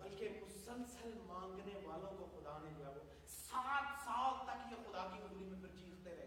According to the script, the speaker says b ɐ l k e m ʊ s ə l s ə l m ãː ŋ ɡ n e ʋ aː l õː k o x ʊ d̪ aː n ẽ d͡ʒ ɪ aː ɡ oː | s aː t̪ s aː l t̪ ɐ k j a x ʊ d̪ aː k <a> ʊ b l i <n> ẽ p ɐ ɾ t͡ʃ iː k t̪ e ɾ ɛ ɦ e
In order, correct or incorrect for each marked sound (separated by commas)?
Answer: incorrect, incorrect